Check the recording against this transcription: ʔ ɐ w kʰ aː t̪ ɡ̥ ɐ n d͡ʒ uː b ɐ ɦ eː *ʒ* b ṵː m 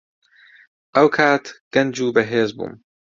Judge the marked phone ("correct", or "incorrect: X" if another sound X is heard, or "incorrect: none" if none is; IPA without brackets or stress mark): incorrect: z